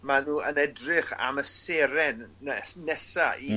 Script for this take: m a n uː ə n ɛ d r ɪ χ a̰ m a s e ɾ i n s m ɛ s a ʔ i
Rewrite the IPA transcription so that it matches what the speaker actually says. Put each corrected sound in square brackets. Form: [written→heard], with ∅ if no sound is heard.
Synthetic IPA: m a n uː ə n ɛ d r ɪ χ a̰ m [a→ə] s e ɾ [i→ɛ] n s [m→n] ɛ s a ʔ i